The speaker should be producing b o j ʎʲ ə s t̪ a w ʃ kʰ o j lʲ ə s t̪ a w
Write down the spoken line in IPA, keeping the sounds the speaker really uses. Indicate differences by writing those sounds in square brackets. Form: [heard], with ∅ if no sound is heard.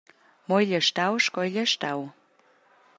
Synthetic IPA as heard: [m] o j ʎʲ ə [ʃ] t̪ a w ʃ [k] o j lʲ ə [ʃ] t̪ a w

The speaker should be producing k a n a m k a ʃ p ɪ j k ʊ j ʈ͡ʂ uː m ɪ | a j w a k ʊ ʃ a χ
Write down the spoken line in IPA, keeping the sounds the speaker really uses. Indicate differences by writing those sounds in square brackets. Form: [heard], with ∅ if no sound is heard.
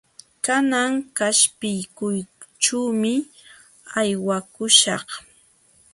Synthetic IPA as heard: k a n a [ŋ] k a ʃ p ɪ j k ʊ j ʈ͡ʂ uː m ɪ | a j w a k ʊ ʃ [ɑ] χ

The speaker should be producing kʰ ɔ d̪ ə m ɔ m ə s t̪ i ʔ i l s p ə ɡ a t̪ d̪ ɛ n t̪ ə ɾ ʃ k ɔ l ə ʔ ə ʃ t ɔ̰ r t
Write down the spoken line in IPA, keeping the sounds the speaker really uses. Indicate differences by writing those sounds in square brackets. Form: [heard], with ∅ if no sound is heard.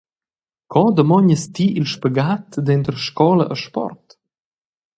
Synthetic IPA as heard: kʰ ɔ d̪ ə m ɔ [ɲ] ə s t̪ i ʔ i l [ʃ] p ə ɡ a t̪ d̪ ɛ n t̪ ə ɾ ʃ k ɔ l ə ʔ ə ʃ [p] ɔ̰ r t

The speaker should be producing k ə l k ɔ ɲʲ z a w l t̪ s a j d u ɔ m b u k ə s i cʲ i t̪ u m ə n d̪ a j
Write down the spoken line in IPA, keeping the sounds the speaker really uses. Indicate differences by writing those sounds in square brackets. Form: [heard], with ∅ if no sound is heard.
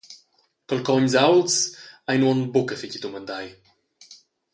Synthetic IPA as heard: k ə l k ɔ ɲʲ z a w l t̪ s a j [n] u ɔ [n] b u k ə [f] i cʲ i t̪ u m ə n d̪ a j

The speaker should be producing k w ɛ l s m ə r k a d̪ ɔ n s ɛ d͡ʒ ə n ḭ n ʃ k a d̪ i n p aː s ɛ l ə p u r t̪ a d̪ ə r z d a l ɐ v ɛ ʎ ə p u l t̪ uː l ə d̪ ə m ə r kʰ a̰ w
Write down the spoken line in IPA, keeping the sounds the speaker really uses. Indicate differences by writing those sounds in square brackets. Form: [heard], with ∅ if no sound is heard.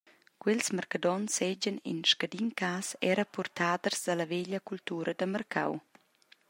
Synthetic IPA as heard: k w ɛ l s m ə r k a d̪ ɔ n s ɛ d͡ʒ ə n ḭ n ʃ k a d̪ i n [k] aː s ɛ [ɾ] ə p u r t̪ a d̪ ə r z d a l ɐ v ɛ ʎ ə [k] u l t̪ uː [ɾ] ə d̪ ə m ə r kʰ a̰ w

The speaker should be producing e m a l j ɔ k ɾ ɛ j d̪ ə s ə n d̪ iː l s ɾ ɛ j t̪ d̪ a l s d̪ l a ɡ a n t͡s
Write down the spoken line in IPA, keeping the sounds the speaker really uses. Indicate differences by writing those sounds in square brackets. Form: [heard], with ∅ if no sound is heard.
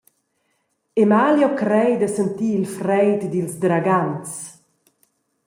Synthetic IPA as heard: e m a l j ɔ k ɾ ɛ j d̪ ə s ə n [t̪] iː l [f] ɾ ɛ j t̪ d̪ [i] l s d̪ [ɾ] a ɡ a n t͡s

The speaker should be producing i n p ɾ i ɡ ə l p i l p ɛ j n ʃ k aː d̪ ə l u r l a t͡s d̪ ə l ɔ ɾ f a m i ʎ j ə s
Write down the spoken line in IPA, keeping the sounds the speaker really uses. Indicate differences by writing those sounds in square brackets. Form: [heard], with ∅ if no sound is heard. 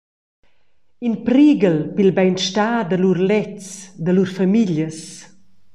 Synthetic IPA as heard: i n p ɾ i ɡ ə l p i l [b] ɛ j n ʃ [t] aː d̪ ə l u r l [ɛ] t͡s d̪ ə l [u] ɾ f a m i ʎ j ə s

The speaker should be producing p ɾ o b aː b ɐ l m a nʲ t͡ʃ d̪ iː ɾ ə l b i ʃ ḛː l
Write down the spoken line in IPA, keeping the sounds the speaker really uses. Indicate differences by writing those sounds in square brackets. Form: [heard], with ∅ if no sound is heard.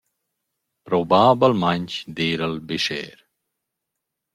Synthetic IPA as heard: p ɾ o b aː b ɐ l m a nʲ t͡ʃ d̪ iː ɾ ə l b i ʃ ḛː [ɾ]

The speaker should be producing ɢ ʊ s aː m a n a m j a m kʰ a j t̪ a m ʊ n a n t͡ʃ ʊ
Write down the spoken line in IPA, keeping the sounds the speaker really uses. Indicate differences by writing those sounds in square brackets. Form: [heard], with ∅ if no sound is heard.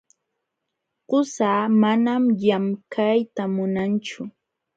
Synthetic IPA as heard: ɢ ʊ s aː m a n a m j a m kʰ a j t̪ a m ʊ n a n t͡ʃ ʊ

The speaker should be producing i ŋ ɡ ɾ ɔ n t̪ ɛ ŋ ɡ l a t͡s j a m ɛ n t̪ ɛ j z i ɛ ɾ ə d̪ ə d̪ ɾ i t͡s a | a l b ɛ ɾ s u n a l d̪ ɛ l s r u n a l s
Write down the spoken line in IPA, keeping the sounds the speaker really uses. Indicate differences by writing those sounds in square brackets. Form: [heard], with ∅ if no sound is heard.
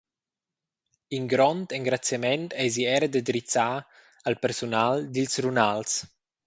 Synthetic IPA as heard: i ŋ ɡ ɾ ɔ n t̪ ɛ ŋ ɡ [ɾ] a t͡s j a m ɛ n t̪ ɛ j z i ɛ ɾ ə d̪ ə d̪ ɾ i t͡s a | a l [p] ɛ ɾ s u n a l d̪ [i] l s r u n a l s

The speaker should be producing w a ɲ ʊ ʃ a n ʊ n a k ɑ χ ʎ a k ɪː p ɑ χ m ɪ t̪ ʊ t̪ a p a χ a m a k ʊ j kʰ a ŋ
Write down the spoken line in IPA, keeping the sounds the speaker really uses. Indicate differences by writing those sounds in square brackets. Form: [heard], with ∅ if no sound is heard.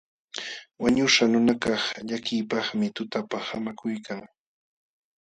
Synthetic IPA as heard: w a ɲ ʊ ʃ a n ʊ n a k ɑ χ ʎ a k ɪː p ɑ χ m ɪ t̪ ʊ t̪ a p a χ a m a k ʊ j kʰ a ŋ

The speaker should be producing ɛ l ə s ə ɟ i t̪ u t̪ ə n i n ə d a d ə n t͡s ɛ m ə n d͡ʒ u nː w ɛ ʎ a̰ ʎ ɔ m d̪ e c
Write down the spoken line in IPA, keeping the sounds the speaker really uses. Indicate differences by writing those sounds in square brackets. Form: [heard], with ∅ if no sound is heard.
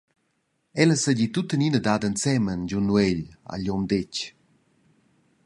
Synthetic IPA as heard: ɛ l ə s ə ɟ i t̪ u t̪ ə n i n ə d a d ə n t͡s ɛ m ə n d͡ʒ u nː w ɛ ʎ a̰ ʎ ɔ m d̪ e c

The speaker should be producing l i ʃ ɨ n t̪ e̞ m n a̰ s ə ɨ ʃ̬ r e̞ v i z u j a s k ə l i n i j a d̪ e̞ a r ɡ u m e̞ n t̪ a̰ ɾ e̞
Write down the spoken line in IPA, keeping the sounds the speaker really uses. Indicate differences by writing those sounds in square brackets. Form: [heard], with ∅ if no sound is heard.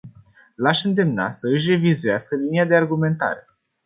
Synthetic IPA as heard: l [a] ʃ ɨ n [d̪] e̞ m n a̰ s ə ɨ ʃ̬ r e̞ v i z u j a s k ə l i n i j a d̪ e̞ a r ɡ u m e̞ n t̪ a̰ ɾ e̞

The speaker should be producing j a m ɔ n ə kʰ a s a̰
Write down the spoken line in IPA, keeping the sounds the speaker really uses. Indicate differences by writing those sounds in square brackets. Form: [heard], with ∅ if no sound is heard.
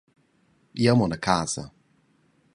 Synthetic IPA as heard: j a m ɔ n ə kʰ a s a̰

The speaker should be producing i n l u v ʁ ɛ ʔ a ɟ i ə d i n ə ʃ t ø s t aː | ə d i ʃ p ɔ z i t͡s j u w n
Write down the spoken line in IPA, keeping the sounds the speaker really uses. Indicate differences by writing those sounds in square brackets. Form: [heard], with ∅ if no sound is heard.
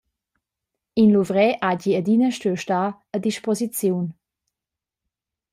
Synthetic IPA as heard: i n l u v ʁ ɛ ʔ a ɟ i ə d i n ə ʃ t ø [ʃ] t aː | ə d i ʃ p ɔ z i t͡s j u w n

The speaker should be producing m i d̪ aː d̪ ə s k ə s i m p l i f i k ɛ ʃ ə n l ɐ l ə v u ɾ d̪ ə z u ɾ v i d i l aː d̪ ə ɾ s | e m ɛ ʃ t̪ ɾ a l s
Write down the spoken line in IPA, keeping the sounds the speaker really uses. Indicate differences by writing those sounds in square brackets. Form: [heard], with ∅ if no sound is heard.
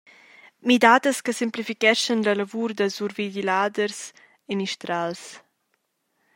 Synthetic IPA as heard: m i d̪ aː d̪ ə s k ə s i m p l i f i k ɛ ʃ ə n l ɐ l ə v u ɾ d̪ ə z u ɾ v i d i l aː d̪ ə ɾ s | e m [i] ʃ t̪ ɾ a l s

